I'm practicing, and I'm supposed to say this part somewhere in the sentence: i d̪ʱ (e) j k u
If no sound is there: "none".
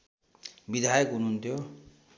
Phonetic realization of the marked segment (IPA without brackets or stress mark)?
a